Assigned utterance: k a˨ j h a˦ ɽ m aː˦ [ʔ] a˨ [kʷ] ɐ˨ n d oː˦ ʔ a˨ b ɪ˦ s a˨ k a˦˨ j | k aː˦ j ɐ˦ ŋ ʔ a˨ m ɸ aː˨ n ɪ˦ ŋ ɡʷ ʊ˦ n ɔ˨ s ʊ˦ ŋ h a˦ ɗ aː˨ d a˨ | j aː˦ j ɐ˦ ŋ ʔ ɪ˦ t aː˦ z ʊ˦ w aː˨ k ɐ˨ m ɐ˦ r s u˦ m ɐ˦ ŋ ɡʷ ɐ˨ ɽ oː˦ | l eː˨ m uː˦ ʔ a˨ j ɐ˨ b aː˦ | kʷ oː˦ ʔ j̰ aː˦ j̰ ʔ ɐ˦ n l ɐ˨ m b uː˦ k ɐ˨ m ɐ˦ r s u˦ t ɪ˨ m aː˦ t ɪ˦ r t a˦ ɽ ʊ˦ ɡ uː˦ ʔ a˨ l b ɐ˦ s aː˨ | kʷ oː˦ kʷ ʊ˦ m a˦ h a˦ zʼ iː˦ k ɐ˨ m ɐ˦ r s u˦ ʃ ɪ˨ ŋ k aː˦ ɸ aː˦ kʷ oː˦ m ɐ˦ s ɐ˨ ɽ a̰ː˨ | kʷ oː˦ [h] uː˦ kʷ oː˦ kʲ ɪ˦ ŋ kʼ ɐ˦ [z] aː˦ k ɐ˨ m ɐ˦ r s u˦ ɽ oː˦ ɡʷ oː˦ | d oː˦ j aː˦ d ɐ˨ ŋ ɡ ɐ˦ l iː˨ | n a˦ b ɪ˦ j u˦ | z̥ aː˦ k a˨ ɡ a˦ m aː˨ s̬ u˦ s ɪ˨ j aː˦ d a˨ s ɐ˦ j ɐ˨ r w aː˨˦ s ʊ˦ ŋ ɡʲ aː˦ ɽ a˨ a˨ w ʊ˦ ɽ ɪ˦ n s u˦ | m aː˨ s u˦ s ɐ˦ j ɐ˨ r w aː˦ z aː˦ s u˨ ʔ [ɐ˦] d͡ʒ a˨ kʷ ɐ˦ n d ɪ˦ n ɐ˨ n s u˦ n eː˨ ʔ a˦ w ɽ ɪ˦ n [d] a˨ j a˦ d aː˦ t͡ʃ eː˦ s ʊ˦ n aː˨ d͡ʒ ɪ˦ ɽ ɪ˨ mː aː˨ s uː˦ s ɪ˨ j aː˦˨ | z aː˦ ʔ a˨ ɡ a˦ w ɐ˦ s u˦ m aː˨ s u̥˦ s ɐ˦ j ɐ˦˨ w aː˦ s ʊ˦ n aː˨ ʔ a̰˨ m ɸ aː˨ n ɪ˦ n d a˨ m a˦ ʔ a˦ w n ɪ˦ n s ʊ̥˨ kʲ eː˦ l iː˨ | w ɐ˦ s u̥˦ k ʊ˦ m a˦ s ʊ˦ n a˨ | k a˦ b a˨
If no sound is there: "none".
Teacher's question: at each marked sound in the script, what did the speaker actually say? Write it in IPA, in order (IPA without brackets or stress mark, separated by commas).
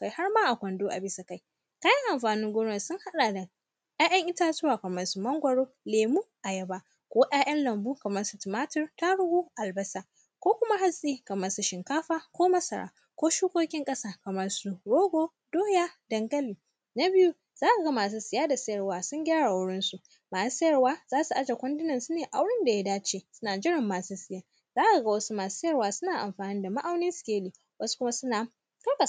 ʔ, kʷ, ʃ, s, a˦, d